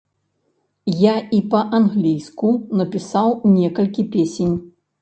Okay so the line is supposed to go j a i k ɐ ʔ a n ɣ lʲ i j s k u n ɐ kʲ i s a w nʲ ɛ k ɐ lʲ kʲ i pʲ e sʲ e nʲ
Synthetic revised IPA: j a i p ɐ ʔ a n ɣ lʲ i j s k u n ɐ pʲ i s a w nʲ ɛ k ɐ lʲ kʲ i pʲ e sʲ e nʲ